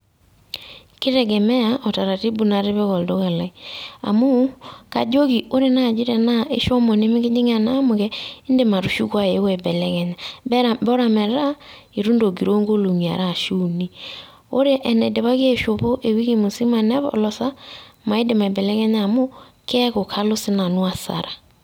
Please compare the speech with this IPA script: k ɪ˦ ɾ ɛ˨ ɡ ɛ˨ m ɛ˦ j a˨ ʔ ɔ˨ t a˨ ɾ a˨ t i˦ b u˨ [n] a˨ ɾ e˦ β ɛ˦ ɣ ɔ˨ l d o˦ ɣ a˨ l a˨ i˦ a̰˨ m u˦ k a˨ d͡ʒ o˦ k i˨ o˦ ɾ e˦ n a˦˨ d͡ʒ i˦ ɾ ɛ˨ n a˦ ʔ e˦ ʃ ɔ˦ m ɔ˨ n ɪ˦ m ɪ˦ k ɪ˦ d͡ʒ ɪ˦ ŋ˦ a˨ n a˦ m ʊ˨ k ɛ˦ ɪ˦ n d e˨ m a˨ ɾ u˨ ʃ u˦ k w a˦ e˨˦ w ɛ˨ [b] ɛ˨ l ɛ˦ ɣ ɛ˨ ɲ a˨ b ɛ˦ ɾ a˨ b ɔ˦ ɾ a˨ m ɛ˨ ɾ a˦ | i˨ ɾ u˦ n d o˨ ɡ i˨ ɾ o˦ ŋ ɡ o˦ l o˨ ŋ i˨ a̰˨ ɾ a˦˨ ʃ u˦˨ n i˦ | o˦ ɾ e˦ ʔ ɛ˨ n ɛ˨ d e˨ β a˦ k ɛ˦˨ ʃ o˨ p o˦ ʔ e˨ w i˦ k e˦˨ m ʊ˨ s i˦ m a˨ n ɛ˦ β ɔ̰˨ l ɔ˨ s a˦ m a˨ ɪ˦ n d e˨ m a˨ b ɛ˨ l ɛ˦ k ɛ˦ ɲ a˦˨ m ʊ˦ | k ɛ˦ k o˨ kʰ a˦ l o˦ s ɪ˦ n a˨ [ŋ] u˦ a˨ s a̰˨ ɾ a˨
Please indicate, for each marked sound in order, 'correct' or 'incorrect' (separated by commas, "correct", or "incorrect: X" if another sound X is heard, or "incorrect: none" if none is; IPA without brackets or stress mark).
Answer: correct, correct, incorrect: n